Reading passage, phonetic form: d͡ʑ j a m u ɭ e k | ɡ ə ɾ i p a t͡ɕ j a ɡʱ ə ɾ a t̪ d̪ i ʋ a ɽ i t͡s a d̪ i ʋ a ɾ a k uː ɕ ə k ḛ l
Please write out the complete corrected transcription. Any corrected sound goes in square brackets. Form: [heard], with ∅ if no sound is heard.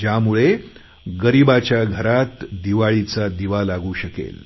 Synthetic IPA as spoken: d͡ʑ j a m u ɭ e [∅] | ɡ ə ɾ i [b] a t͡ɕ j a ɡʱ ə ɾ a t̪ d̪ i ʋ a [ɭ] i t͡s a d̪ i ʋ a [l] a [ɡ] uː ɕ ə k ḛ l